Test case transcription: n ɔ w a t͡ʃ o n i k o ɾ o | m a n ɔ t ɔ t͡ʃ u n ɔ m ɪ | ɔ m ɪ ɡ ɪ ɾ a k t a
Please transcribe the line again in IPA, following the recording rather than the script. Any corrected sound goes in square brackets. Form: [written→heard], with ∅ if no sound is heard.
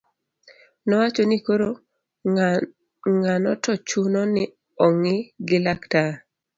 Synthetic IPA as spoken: n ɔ w a t͡ʃ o n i k o ɾ o | [m→ŋ] a n ɔ t ɔ t͡ʃ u n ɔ [m→n] ɪ | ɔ [m→ŋ] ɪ ɡ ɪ [ɾ→l] a k t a